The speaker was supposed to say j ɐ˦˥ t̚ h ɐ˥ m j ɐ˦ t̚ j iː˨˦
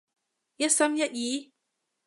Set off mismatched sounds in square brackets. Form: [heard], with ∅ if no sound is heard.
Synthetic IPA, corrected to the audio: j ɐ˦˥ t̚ [s] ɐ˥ m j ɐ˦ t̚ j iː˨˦